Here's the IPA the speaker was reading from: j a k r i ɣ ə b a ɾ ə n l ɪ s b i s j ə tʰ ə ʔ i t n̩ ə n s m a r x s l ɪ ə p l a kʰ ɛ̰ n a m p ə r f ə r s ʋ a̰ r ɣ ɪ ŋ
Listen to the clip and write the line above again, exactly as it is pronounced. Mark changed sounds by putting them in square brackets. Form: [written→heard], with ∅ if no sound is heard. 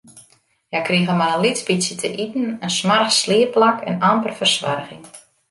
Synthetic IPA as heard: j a k r i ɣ ə [b→m] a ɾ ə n l [ɪ→i] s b i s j ə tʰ ə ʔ i t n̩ ə n s m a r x s l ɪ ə p l a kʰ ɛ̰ n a m p ə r f ə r s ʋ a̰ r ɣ ɪ ŋ